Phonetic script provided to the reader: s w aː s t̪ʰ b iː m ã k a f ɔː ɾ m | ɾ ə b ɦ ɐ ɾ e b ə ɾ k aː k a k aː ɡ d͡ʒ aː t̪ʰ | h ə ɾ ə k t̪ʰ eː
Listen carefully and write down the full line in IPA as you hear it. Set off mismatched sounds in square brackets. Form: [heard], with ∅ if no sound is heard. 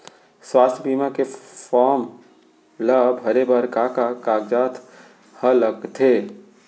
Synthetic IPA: s w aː s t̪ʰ b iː m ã k [e] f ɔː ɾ m | [l] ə b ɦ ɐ ɾ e b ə ɾ k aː k a k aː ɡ d͡ʒ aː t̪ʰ | h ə [l] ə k t̪ʰ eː